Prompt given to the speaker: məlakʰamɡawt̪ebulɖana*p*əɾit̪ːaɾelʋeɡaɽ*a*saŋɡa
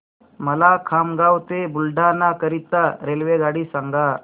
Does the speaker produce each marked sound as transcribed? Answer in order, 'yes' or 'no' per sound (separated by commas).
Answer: no, no